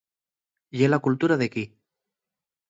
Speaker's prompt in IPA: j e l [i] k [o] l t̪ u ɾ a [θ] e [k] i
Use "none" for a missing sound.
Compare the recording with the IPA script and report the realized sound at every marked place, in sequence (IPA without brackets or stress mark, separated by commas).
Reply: a, u, ð, k